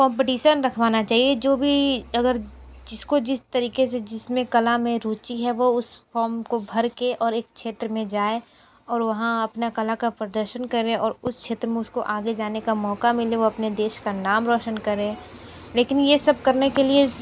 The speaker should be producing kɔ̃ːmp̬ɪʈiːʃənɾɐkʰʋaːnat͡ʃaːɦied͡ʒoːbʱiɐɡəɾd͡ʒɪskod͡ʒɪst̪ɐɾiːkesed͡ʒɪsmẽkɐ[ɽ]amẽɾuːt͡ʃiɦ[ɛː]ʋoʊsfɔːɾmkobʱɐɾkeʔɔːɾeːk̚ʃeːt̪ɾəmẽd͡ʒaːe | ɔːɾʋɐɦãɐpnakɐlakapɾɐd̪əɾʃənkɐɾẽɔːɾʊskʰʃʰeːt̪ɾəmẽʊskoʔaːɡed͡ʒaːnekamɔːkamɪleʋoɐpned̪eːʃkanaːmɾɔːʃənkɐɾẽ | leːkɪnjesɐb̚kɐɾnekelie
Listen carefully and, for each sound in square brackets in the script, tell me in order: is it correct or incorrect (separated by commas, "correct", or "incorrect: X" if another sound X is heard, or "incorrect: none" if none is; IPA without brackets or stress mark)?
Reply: incorrect: l, incorrect: ɛ